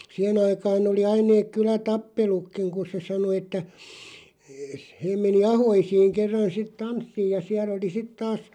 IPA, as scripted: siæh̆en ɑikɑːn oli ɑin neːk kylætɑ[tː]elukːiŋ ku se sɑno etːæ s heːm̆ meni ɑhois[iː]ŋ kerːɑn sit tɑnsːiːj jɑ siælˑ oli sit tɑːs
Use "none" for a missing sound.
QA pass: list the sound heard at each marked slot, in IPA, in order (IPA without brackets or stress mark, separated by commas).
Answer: pː, iː